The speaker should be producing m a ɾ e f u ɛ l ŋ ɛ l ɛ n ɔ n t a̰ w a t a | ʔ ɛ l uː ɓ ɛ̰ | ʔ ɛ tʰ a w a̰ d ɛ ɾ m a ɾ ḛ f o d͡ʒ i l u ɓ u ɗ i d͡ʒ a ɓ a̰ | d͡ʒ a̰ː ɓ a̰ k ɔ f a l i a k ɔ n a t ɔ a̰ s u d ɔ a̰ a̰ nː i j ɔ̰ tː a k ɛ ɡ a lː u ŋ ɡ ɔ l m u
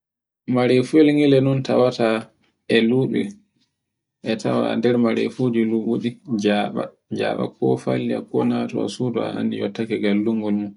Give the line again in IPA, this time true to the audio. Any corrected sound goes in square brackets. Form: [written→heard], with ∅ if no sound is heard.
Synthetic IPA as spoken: m a ɾ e f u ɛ l ŋ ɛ l ɛ n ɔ n t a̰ w a t a | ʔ ɛ l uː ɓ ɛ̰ | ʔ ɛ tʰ a w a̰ d ɛ ɾ m a ɾ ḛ f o d͡ʒ i l u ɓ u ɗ i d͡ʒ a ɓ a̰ | d͡ʒ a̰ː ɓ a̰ k ɔ f a l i a k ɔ n a t ɔ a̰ s u d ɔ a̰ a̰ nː i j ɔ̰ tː a k ɛ ɡ a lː u ŋ ɡ ɔ l m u